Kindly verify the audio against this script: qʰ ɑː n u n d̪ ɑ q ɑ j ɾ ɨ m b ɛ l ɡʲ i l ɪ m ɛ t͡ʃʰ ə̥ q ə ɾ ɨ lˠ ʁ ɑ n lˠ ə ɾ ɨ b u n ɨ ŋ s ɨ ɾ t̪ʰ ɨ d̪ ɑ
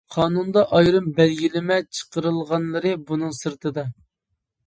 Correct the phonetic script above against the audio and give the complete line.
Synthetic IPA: qʰ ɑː n u n d̪ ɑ ʔ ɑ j ɾ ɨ m b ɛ l ɡʲ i l ɪ m ɛ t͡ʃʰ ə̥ q ə ɾ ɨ lˠ ʁ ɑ n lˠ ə ɾ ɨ b u n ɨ ŋ s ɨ ɾ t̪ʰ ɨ d̪ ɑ